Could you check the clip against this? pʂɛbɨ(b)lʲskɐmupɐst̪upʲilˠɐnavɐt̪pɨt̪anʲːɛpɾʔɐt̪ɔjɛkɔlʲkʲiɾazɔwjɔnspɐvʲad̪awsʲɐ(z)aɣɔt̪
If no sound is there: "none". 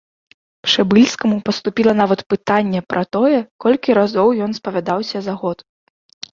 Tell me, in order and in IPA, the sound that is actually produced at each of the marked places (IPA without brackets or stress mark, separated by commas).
none, z